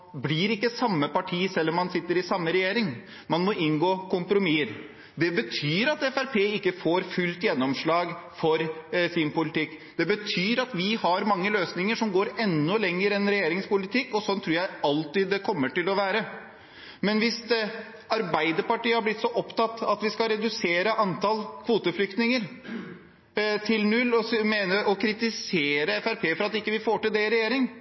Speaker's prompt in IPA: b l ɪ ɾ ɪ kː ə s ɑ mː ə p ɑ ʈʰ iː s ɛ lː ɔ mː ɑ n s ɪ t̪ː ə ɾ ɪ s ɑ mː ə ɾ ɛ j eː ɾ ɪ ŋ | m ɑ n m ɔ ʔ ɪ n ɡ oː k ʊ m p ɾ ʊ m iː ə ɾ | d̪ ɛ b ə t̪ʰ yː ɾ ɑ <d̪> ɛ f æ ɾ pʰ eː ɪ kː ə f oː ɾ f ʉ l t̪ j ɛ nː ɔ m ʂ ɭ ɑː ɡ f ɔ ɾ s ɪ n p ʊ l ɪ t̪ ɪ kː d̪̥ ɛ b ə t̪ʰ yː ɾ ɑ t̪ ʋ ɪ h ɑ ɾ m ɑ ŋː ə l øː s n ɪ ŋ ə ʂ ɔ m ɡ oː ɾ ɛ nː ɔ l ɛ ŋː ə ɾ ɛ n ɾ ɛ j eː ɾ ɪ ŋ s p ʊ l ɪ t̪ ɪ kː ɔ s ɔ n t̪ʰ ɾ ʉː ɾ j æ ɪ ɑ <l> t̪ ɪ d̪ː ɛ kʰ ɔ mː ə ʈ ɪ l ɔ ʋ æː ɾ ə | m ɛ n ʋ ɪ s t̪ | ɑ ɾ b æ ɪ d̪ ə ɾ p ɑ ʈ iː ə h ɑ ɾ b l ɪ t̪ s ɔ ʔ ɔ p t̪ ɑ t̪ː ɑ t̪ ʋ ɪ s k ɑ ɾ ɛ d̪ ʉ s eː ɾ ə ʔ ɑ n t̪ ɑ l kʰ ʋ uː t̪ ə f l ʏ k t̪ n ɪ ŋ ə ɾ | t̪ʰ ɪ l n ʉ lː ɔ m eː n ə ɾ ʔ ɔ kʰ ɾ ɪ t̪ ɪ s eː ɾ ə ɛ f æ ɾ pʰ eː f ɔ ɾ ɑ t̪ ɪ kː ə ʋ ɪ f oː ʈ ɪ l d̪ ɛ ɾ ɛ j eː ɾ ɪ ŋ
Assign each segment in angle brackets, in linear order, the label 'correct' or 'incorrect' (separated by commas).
incorrect, correct